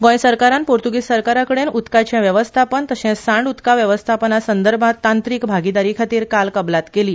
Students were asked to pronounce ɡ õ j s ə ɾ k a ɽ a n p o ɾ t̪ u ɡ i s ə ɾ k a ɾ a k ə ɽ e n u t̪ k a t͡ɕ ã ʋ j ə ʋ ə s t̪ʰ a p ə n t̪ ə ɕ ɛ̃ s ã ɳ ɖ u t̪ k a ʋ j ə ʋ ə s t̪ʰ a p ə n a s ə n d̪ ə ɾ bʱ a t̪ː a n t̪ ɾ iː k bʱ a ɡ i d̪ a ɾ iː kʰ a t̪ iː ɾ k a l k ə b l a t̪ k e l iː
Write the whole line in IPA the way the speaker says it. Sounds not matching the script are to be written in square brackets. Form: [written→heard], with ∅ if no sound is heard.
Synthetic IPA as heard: ɡ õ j s ə ɾ k a [ɽ→ɾ] a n p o ɾ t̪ u ɡ i s ə ɾ k a ɾ a k ə ɽ e n u t̪ k a t͡ɕ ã ʋ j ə ʋ ə s t̪ʰ a p ə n t̪ ə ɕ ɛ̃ s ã ɳ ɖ u t̪ k a ʋ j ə ʋ ə s t̪ʰ a p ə n a s ə n d̪ ə ɾ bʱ a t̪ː a n t̪ ɾ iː k bʱ a ɡ i d̪ a ɾ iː kʰ a t̪ iː ɾ k a l k ə b l a t̪ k e l iː